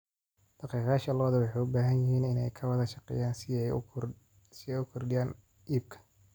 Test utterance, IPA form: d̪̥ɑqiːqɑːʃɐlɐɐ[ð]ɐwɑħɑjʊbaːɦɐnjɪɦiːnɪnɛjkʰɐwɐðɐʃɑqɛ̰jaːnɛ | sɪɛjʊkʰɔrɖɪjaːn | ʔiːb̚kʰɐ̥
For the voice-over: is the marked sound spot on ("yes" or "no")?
yes